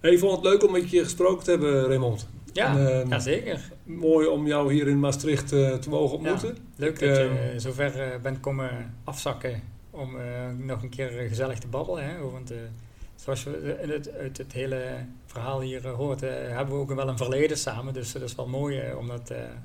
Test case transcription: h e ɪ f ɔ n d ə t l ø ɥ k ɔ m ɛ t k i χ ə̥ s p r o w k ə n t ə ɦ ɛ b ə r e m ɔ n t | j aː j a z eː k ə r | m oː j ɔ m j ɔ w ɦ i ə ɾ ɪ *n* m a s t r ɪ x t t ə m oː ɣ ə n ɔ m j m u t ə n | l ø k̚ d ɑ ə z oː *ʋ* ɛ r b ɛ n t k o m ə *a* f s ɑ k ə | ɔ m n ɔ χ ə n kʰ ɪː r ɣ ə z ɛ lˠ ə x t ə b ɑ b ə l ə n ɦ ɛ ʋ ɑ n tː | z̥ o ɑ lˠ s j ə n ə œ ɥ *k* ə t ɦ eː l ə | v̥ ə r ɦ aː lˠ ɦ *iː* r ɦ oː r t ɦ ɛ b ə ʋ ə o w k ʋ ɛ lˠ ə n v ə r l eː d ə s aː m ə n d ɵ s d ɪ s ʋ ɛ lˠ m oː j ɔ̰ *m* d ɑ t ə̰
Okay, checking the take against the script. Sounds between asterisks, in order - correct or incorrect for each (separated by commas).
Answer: correct, incorrect, incorrect, incorrect, correct, correct